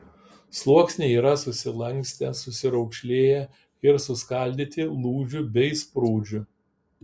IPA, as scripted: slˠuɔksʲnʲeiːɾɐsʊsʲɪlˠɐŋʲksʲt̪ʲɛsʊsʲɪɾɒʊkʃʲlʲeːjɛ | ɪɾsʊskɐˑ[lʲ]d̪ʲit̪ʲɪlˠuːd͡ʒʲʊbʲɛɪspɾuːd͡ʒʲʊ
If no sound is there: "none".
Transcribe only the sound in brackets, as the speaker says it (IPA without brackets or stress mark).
lʲ